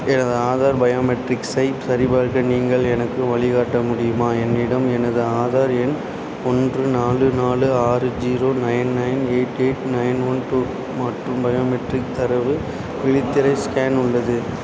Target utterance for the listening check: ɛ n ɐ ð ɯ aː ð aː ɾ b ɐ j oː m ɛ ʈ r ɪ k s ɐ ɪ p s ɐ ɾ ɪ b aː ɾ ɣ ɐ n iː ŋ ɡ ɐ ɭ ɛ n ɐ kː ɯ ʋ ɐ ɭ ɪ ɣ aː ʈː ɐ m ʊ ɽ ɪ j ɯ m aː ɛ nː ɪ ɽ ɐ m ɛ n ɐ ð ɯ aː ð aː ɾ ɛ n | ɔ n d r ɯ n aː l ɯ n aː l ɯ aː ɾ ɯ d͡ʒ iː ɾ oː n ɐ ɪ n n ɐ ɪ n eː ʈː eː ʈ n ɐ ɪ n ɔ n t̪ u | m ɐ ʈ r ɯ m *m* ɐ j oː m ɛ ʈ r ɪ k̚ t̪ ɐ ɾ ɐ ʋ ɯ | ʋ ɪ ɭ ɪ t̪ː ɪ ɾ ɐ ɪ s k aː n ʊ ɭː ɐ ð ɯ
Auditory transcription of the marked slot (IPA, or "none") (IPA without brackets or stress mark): b